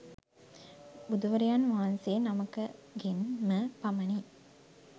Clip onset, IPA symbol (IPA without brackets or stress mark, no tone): b